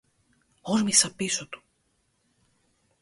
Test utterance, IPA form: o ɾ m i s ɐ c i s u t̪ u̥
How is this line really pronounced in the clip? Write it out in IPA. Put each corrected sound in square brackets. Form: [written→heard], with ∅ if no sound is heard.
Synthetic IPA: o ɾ m i s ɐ [c→p] i s [u→o] t̪ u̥